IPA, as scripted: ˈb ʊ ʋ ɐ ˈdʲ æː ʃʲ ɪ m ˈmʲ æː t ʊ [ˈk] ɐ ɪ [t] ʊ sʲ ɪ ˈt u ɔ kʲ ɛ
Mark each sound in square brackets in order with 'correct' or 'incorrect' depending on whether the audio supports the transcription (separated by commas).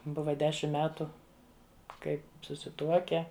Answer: correct, incorrect